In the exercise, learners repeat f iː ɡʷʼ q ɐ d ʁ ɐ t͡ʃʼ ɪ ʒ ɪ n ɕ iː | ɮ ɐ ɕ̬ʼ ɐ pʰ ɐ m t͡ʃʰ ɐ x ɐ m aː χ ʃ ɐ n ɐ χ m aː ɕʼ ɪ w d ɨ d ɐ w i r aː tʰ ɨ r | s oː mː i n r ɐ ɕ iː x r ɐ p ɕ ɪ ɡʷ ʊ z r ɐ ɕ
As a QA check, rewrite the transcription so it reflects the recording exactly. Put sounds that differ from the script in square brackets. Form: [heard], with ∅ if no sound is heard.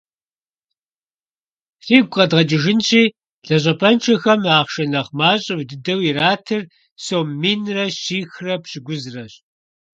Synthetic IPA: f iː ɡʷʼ q ɐ d ʁ ɐ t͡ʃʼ ɪ ʒ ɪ n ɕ iː | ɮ ɐ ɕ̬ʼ ɐ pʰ ɐ [n] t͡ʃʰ ɐ x ɐ m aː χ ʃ ɐ n ɐ χ m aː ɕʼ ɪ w d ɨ d ɐ w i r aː tʰ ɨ r | s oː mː i n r ɐ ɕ iː x r ɐ p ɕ ɪ ɡʷ ʊ z r ɐ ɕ

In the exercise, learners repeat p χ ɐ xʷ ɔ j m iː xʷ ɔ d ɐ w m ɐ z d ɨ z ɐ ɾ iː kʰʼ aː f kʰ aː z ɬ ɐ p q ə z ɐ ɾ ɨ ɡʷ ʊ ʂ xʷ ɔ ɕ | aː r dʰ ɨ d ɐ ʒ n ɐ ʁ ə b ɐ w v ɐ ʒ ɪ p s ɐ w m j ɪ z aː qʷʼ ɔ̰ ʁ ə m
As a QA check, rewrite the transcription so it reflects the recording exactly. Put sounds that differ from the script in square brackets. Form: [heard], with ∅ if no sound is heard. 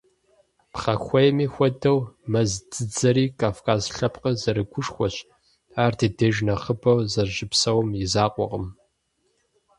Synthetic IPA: p χ ɐ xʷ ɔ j m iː xʷ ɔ d ɐ w m ɐ z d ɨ [d͡z] ɐ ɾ iː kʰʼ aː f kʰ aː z ɬ ɐ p q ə z ɐ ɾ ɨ ɡʷ ʊ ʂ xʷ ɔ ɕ | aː r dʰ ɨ d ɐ ʒ n ɐ [χ] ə b ɐ w [z] ɐ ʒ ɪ p s ɐ w m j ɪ z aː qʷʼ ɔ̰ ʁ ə m

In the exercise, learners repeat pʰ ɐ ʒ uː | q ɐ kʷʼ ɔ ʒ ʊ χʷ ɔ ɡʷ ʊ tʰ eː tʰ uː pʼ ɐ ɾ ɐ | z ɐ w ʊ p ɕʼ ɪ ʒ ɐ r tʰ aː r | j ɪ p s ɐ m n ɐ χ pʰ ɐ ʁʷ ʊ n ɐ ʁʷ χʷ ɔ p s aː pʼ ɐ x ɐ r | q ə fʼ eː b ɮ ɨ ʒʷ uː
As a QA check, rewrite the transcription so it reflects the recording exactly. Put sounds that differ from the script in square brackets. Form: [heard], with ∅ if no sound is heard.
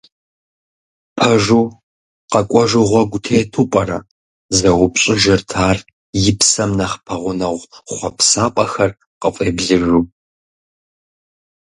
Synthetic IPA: pʰ ɐ ʒ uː | q ɐ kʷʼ ɔ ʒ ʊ [ʁʷ] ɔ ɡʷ ʊ tʰ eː tʰ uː pʼ ɐ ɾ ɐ | z ɐ w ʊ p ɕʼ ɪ ʒ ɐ r tʰ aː r | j ɪ p s ɐ m n ɐ χ pʰ ɐ ʁʷ ʊ n ɐ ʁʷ χʷ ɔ p s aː pʼ ɐ x ɐ r | q ə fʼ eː b ɮ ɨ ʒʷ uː

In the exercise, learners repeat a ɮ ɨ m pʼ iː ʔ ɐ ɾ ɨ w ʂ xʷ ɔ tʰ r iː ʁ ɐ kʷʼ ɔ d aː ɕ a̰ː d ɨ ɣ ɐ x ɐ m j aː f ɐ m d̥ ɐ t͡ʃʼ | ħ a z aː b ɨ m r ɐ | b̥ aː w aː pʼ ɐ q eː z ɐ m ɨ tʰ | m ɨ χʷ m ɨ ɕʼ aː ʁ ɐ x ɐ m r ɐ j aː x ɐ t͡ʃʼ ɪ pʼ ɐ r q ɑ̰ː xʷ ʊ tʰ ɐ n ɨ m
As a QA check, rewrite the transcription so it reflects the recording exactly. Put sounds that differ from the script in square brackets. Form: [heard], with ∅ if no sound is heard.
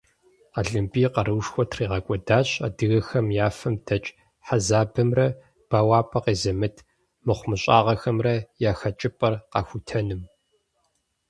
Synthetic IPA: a ɮ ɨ m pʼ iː [q] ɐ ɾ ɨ w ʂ xʷ ɔ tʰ r iː ʁ ɐ kʷʼ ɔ d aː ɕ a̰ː d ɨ ɣ ɐ x ɐ m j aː f ɐ m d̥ ɐ t͡ʃʼ | ħ a z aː b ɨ m r ɐ | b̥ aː w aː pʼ ɐ q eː z ɐ m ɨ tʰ | m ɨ χʷ m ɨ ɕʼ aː ʁ ɐ x ɐ m r ɐ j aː x ɐ t͡ʃʼ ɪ pʼ ɐ r q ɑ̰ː xʷ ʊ tʰ ɐ n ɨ m

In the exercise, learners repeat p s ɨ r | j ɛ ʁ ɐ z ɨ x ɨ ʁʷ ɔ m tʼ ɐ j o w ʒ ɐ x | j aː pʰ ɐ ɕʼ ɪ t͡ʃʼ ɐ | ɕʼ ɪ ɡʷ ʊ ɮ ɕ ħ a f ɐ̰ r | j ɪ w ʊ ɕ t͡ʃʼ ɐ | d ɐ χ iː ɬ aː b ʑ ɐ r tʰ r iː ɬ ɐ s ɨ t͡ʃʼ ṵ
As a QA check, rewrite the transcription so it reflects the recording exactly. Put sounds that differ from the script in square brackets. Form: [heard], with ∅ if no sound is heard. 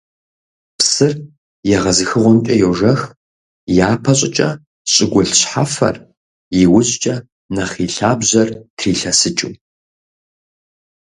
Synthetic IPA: p s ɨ r | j ɛ ʁ ɐ z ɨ x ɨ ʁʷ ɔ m tʼ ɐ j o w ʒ ɐ x | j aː pʰ ɐ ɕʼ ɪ t͡ʃʼ ɐ | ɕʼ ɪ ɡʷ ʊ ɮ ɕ ħ a f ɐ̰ r | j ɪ w ʊ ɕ t͡ʃʼ ɐ | [n] ɐ χ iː ɬ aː b ʑ ɐ r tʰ r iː ɬ ɐ s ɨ t͡ʃʼ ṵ

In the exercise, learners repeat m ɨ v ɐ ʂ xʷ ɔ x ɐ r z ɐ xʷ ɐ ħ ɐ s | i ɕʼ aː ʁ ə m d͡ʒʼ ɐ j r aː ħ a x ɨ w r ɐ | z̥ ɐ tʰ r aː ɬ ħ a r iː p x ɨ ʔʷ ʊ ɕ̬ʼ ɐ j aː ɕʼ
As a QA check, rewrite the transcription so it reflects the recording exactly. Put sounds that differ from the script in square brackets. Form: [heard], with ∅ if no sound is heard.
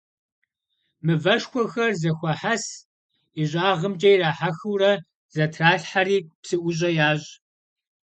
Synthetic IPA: m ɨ v ɐ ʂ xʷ ɔ x ɐ r z ɐ xʷ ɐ ħ [a] s | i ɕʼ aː ʁ ə m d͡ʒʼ ɐ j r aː ħ a x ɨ w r ɐ | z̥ ɐ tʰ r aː ɬ ħ a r iː p [s] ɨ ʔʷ ʊ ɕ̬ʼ ɐ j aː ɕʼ

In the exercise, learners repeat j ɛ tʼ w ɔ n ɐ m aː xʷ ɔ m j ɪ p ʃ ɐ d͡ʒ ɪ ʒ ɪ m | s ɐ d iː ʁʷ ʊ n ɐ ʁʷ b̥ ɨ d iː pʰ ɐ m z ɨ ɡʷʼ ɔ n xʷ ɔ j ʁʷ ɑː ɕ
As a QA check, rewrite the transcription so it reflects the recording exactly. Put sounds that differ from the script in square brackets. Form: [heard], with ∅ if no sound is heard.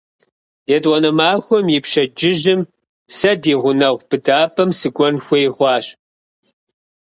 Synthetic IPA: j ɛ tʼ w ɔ n ɐ m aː xʷ ɔ m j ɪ p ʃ ɐ d͡ʒ ɪ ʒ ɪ m | s ɐ d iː ʁʷ ʊ n ɐ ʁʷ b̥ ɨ d [aː] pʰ ɐ m [s] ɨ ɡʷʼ ɔ n xʷ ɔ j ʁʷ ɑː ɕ

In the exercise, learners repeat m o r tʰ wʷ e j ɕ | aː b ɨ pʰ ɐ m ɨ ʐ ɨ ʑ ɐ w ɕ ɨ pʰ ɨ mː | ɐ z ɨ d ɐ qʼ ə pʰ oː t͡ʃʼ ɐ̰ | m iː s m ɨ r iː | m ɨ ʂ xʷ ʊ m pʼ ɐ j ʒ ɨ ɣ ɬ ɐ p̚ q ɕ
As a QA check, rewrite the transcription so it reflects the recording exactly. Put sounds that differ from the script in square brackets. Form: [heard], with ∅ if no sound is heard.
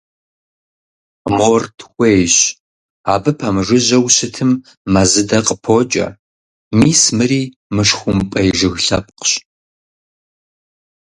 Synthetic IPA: m o r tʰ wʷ e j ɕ | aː b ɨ pʰ ɐ m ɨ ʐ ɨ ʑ ɐ w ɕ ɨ [tʰ] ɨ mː | ɐ z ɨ d ɐ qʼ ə pʰ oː t͡ʃʼ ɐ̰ | m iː s m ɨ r iː | m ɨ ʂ xʷ ʊ m pʼ ɐ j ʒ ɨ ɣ ɬ ɐ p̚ q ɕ

